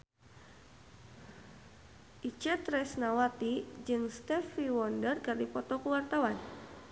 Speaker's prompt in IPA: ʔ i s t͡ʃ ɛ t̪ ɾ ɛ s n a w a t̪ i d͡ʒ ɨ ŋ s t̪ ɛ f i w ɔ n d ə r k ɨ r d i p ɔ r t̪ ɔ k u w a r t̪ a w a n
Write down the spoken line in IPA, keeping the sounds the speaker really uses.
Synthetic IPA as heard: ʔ i t͡ʃ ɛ t̪ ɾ ɛ s n a w a t̪ i d͡ʒ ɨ ŋ s t̪ ɛ f i w ɔ n d ə r k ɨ r d i p ɔ t̪ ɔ k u w a r t̪ a w a n

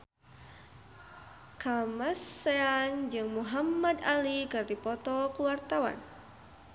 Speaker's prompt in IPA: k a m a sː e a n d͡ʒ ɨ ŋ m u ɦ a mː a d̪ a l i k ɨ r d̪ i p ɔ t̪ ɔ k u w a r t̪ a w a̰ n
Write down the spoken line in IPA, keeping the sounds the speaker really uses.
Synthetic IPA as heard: k a m a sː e a n d͡ʒ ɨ ŋ m u ɦ a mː a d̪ a l i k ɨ r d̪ i p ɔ t̪ ɔ k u w a r t̪ a w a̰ n

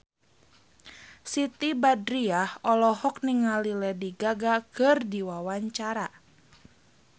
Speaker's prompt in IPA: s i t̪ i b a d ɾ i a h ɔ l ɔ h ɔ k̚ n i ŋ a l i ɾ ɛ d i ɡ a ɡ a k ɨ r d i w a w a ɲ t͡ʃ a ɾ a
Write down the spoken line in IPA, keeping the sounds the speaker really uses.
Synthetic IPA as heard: s i t̪ i b a d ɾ i a h ɔ l ɔ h ɔ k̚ n i ŋ a l i l ɛ d i ɡ a ɡ a k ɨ r d i w a w a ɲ t͡ʃ a ɾ a

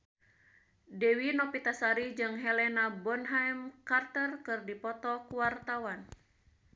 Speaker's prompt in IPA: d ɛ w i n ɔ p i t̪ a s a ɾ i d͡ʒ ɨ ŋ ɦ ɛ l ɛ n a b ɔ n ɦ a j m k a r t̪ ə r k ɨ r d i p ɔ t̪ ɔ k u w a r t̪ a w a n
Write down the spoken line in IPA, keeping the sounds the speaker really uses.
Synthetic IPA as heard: d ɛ w i n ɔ p i t̪ a s a ɾ i d͡ʒ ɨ ŋ ɦ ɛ l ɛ n a b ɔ n ɦ a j m k a r t̪ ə r k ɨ r d i p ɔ t̪ ɔ k u w a r t̪ a w a n

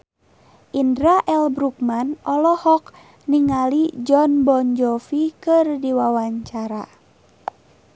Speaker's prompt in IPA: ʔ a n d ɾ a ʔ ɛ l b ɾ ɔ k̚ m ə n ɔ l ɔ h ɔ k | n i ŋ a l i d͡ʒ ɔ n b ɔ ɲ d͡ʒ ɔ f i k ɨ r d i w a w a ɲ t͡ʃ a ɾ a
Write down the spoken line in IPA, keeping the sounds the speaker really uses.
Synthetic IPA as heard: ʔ i n d ɾ a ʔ ɛ l b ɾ u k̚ m a n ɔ l ɔ h ɔ k | n i ŋ a l i d͡ʒ ɔ n b ɔ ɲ d͡ʒ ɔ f i k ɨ r d i w a w a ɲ t͡ʃ a ɾ a

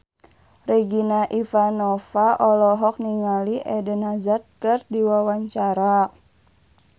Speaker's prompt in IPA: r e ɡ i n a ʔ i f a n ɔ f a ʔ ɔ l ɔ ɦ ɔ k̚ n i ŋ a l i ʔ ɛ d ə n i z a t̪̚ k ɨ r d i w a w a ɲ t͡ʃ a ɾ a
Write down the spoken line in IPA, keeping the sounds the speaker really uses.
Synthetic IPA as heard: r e ɡ i n a ʔ i f a n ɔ f a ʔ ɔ l ɔ ɦ ɔ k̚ n i ŋ a l i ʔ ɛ d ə n a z a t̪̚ k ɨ r d i w a w a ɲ t͡ʃ a ɾ a

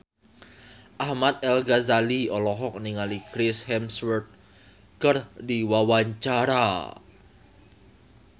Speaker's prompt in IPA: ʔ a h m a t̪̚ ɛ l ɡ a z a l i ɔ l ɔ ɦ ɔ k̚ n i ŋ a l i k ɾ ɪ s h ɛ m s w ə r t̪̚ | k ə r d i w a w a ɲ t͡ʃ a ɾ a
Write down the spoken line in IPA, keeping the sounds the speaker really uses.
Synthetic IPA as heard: ʔ a h m a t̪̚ ɛ l ɡ a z a l i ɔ l ɔ ɦ ɔ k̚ n i ŋ a l i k ɾ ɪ s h ɛ m s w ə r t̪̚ | k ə r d i w a w a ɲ t͡ʃ a ɾ a

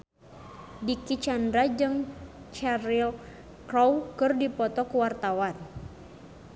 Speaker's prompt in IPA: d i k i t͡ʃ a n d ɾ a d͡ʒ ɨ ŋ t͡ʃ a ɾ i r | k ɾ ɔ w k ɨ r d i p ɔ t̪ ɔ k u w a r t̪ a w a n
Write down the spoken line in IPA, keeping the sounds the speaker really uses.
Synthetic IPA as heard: d i k i t͡ʃ a n d ɾ a d͡ʒ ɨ ŋ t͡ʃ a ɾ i l | k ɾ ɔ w k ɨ r d i p ɔ t̪ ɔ k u w a r t̪ a w a n

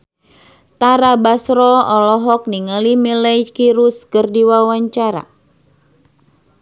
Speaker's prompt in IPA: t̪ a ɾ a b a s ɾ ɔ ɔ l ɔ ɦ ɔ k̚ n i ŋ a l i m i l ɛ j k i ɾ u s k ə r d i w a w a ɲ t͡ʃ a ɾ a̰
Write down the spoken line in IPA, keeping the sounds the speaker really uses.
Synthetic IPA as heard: t̪ a ɾ a b a s ɾ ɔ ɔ l ɔ ɦ ɔ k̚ n i ŋ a l i m i l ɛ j k i ɾ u s k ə r d i w a w a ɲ t͡ʃ a ɾ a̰

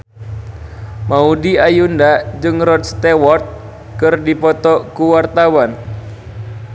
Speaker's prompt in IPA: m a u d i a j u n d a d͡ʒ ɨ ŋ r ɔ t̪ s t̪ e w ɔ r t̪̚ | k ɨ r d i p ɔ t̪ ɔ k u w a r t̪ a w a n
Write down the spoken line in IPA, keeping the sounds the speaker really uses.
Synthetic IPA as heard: m a u d i a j u n d a d͡ʒ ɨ ŋ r ɔ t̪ s t̪ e w ɔ r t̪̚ | k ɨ r d i p ɔ t̪ ɔ k u w a r t̪ a w a n

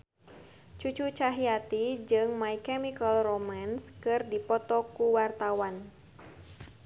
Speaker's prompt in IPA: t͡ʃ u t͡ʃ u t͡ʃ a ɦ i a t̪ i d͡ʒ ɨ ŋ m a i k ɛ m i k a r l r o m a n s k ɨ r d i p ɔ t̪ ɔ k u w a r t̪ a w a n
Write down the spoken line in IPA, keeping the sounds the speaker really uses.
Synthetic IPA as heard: t͡ʃ u t͡ʃ u t͡ʃ a ɦ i a t̪ i d͡ʒ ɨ ŋ m a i k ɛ m i k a l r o m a n s k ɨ r d i p ɔ t̪ ɔ k u w a r t̪ a w a n

